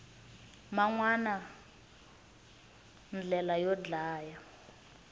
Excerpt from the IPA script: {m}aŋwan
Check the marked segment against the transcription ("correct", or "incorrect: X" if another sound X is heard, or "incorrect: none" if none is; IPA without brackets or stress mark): correct